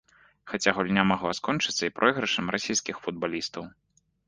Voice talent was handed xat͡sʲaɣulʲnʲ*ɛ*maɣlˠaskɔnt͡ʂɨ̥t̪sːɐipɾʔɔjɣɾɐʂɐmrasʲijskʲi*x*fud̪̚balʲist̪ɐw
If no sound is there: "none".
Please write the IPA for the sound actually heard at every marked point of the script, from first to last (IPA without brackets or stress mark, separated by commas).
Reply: a, x